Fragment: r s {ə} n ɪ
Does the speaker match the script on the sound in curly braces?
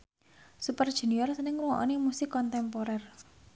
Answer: yes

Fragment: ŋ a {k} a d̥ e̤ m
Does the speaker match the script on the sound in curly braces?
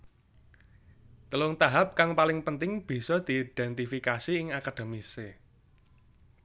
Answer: yes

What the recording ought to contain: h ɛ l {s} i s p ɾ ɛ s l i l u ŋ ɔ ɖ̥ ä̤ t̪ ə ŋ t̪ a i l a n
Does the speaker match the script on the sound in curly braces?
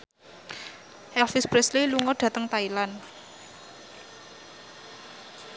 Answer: no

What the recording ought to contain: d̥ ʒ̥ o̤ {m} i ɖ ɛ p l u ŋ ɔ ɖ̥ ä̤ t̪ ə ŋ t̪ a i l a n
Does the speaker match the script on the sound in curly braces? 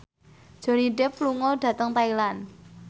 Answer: no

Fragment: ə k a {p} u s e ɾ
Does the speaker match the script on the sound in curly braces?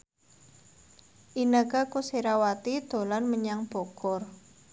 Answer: no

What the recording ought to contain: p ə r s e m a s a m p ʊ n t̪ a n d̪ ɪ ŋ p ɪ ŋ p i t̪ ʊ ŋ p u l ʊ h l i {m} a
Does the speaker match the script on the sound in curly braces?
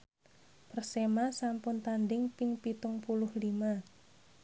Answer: yes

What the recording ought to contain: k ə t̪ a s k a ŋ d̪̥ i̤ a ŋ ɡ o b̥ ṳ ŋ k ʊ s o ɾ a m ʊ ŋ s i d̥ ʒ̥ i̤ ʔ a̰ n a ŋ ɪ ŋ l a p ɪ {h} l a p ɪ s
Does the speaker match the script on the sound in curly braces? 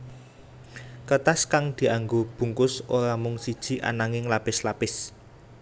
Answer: no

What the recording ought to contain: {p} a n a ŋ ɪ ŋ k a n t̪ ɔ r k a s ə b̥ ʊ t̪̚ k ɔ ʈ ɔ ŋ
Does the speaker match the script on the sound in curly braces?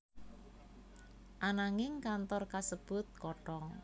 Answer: no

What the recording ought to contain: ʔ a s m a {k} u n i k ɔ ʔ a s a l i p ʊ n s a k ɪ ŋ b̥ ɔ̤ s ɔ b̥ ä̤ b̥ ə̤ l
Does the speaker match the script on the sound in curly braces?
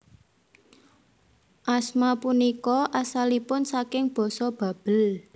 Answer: no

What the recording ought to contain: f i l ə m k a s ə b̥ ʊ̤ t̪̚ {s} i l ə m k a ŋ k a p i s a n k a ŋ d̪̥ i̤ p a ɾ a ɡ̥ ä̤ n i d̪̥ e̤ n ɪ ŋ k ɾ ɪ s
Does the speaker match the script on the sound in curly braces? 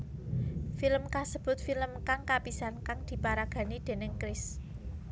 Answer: no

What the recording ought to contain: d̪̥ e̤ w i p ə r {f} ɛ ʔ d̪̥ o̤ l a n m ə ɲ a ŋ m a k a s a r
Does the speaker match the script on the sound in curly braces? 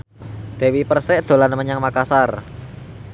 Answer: no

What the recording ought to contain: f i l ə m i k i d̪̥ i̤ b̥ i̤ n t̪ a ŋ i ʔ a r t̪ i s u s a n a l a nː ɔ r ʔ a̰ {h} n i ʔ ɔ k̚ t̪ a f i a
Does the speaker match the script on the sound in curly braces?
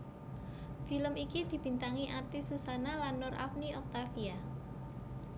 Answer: no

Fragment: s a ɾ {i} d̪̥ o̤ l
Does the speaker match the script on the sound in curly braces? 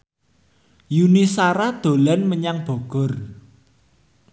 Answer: no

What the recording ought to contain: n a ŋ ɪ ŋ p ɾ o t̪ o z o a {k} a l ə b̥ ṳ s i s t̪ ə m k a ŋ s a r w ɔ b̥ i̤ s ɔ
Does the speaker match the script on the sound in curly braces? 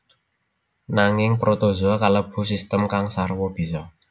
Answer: yes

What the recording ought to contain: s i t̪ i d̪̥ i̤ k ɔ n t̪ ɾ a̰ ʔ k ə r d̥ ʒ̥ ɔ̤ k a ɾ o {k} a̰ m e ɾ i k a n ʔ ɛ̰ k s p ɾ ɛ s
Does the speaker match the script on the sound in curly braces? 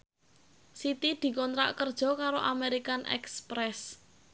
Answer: no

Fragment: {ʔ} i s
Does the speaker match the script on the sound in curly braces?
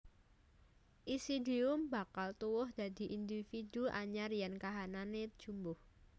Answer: yes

